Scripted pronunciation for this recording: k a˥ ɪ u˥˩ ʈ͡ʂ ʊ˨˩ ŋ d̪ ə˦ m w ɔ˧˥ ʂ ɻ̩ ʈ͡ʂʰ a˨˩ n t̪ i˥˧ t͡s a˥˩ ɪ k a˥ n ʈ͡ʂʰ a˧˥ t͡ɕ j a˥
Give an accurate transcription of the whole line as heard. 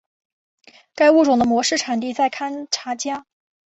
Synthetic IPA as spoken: k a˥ ɪ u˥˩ ʈ͡ʂ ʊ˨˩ ŋ d̪ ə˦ m w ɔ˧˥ ʂ ɻ̩ ʈ͡ʂʰ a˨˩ n t̪ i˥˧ t͡s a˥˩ ɪ kʰ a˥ n ʈ͡ʂʰ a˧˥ t͡ɕ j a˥